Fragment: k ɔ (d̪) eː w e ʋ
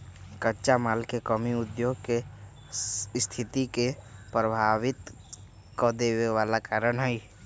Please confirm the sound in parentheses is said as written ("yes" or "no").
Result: yes